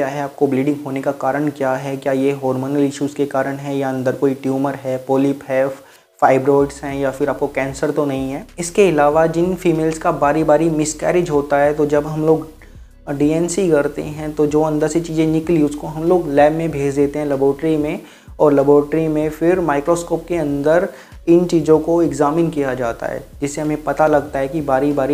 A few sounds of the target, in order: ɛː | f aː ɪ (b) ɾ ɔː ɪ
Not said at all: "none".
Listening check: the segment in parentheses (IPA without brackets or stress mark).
b